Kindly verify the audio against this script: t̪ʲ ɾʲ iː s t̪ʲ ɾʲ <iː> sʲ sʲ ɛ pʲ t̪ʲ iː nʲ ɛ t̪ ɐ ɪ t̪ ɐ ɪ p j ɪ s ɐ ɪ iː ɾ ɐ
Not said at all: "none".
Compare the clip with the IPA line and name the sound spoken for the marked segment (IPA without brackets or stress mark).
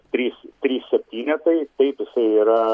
iː